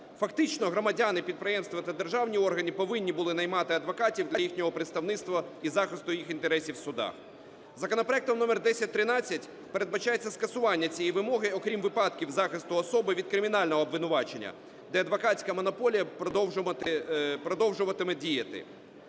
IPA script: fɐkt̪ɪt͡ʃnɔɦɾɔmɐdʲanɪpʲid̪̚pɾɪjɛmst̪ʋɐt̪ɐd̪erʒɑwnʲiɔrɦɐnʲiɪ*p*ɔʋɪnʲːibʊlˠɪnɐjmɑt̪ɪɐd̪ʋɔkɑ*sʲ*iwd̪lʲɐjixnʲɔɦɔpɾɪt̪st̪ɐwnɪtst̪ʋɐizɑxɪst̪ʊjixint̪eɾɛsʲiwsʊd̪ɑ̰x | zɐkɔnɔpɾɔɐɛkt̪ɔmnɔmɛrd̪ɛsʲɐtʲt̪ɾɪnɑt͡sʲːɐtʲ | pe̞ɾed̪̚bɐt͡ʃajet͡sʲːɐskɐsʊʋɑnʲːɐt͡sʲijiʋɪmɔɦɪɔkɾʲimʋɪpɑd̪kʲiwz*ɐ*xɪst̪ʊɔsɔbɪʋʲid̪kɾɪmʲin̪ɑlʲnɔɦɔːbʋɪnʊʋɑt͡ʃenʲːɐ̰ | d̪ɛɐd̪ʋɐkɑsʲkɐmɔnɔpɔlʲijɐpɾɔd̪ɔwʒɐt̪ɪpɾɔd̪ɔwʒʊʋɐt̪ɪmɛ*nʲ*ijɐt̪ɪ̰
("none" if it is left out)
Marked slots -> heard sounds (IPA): p, tʲ, ɑ, dʲ

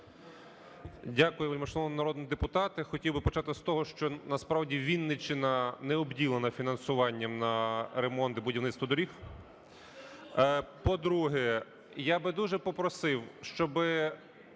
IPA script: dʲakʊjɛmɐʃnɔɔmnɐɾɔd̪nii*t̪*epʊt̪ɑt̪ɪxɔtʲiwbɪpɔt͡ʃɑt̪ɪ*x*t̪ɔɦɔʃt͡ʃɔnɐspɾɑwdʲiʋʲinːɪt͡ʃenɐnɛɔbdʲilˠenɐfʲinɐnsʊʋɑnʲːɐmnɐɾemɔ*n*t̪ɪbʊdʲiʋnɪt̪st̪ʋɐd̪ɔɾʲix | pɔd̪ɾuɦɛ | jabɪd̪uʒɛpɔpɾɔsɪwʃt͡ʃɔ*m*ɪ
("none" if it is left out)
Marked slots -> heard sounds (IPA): d̪, s, n, b

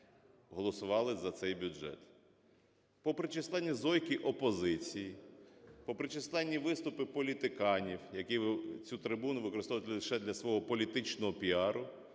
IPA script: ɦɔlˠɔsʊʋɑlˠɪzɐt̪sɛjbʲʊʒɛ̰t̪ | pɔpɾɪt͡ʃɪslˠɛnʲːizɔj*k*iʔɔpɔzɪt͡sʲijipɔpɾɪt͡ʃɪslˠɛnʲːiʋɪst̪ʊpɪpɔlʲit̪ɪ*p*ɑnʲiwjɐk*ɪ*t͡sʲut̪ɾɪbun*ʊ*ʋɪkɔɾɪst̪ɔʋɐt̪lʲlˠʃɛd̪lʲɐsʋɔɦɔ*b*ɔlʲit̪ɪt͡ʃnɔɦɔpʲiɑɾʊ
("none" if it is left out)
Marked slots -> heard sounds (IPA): k, k, i, ʊ, p

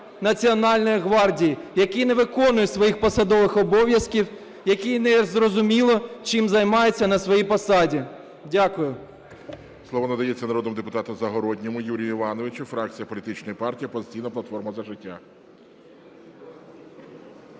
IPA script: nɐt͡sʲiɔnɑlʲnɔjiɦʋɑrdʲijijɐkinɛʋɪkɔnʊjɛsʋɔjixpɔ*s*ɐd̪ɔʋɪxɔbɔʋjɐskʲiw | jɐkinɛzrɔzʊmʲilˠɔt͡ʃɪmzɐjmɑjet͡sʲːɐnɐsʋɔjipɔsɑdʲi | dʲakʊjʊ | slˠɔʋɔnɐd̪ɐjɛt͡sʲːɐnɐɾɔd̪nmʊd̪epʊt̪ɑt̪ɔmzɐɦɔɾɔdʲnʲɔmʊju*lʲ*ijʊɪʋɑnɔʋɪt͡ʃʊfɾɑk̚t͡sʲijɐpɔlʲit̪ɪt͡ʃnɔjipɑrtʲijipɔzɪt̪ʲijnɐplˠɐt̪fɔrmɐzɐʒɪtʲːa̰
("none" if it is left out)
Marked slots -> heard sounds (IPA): s, ɾʲ

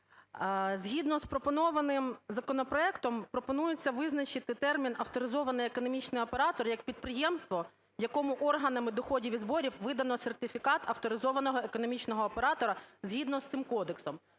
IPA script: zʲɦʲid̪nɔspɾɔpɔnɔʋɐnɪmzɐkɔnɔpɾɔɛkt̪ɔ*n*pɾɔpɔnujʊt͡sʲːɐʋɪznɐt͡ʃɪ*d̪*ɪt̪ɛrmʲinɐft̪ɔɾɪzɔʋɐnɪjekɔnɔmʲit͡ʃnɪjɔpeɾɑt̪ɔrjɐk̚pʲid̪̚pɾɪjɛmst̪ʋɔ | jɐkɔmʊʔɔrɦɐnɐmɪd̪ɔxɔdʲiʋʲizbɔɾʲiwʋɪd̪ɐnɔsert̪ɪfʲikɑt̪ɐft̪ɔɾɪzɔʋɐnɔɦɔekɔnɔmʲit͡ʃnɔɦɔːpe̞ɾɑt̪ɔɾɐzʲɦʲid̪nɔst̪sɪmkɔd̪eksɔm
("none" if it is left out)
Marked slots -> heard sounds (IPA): m, t̪

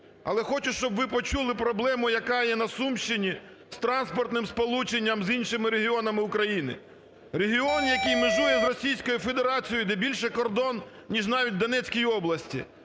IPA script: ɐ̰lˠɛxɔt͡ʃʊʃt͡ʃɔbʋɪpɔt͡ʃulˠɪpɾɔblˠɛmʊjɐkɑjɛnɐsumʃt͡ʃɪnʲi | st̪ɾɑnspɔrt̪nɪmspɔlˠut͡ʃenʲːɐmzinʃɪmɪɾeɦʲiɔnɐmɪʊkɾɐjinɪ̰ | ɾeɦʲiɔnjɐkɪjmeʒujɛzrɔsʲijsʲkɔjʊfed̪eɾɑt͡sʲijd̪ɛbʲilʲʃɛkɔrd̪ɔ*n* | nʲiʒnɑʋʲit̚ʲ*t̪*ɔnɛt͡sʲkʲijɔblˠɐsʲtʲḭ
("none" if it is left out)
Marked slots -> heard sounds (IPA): n, d̪

